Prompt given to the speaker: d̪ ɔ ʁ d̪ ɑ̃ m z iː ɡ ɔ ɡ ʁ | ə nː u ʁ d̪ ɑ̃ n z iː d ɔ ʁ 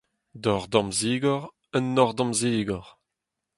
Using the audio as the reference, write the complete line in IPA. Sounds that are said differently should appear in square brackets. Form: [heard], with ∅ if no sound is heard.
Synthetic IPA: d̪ ɔ ʁ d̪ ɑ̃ m z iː ɡ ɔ [∅] ʁ | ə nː [ɔ] ʁ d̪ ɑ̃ [m] z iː [ɡ] ɔ ʁ